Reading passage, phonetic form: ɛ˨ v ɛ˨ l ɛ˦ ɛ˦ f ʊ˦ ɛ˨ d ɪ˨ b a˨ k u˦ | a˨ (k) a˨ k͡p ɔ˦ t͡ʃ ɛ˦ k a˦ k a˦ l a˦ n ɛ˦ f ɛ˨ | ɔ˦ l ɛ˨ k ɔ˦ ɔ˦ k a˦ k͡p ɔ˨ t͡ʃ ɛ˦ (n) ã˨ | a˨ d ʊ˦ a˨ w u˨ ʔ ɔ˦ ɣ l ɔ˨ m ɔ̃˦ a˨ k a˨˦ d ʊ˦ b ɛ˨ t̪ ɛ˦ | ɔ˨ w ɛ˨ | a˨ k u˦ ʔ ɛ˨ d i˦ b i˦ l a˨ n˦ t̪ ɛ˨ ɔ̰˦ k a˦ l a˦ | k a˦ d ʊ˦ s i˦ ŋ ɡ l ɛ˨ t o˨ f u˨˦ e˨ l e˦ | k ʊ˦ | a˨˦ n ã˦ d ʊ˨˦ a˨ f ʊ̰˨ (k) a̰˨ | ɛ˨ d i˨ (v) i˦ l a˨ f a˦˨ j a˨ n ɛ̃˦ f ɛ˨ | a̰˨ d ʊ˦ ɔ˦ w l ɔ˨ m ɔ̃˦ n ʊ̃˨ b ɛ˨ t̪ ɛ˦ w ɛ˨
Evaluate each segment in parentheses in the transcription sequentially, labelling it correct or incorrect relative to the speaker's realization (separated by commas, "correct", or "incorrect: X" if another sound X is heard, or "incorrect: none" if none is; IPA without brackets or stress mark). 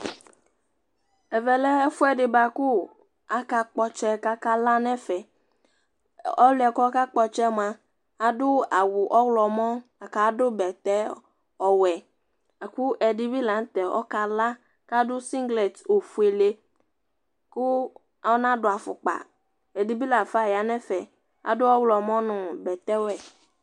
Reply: correct, incorrect: m, incorrect: k͡p, incorrect: b